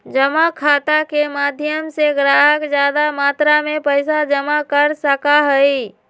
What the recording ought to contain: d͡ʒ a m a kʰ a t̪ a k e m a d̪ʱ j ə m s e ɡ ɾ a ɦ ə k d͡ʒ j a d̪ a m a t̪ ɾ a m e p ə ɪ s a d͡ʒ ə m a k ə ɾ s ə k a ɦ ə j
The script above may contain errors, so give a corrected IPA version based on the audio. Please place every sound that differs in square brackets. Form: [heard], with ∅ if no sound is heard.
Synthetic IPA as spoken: d͡ʒ [ə] m a kʰ a t̪ a k e m a d̪ʱ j ə m s e ɡ ɾ a ɦ ə k d͡ʒ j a d̪ a m a t̪ ɾ a m e p ə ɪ s a d͡ʒ ə m a k ə ɾ s ə k a ɦ ə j